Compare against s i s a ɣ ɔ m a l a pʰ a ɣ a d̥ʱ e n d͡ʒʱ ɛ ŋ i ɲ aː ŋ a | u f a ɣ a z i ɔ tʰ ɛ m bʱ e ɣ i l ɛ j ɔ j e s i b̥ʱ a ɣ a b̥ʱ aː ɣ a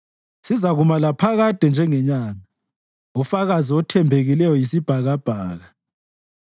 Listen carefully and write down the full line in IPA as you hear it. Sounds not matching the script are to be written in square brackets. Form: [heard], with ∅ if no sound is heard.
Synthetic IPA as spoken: s i [z] a ɣ [u] m a l a pʰ a ɣ a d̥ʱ [ɛ] n d͡ʒʱ ɛ ŋ [ɛ] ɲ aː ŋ a | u f a ɣ a z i ɔ tʰ ɛ m bʱ e ɣ i l ɛ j ɔ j [i] s i b̥ʱ a ɣ a b̥ʱ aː ɣ a